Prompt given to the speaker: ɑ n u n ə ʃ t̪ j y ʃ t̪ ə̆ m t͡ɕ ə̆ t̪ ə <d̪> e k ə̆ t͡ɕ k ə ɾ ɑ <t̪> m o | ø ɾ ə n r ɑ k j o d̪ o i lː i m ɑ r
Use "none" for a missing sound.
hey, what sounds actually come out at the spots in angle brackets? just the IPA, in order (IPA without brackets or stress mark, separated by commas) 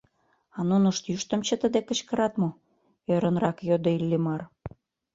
d̪, t̪